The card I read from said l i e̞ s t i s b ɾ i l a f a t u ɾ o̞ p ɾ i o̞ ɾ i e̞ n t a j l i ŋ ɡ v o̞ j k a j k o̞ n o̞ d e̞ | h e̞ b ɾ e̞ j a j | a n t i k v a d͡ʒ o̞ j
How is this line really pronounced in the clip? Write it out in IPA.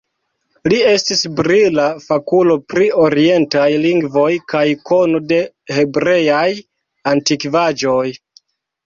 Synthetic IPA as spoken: l i e̞ s t i s b ɾ i l a f a k u l o̞ p ɾ i o̞ ɾ i e̞ n t a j l i ŋ ɡ v o̞ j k a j k o̞ n o̞ d e̞ | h e̞ b ɾ e̞ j a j | a n t i k v a d͡ʒ o̞ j

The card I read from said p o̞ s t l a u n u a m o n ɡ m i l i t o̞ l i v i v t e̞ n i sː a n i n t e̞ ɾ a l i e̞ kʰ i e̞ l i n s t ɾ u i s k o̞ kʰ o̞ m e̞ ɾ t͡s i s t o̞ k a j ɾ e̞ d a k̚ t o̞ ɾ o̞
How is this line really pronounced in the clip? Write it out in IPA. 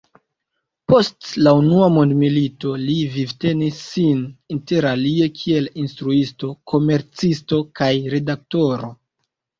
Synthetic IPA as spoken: p o̞ s t l a u n u a m o n d m i l i t o̞ l i v i v t e̞ n i sː i n i n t e̞ ɾ a l i e̞ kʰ i e̞ l i n s t ɾ u i s t o̞ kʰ o̞ m e̞ ɾ t͡s i s t o̞ k a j ɾ e̞ d a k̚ t o̞ ɾ o̞

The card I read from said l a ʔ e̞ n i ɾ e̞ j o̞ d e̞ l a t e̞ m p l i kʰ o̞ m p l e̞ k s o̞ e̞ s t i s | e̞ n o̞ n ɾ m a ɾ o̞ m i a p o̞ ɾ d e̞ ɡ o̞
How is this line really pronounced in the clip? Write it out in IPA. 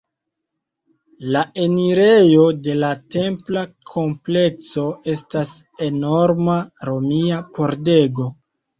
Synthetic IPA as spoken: l a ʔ e̞ n i ɾ e̞ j o̞ d e̞ l a t e̞ m p l a kʰ o̞ m p l e̞ k s o̞ e̞ s t a s | e̞ n o̞ ɾ m a ɾ o̞ m i a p o̞ ɾ d e̞ ɡ o̞

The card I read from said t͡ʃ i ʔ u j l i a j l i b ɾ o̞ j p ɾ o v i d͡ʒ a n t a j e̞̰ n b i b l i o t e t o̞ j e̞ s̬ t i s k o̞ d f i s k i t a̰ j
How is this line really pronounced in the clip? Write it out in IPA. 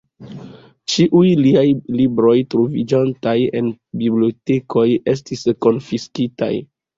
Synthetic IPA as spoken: t͡ʃ i ʔ u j l i a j l i b ɾ o̞ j t ɾ o v i d͡ʒ a n t a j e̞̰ n b i b l i o t e k o̞ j e̞ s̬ t i s k o̞ n f i s k i t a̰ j

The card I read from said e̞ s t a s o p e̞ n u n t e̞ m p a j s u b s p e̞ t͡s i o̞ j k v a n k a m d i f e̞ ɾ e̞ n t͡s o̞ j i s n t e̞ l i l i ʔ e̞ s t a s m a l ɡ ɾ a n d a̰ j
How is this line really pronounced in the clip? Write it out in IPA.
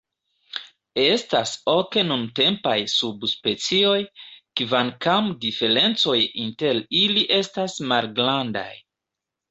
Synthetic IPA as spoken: e̞ s t a s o k e̞ n u n t e̞ m p a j s u b s p e̞ t͡s i o̞ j k v a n k a m d i f e̞ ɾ e̞ n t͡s o̞ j i n t e̞ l i l i ʔ e̞ s t a s m a l ɡ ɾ a n d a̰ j

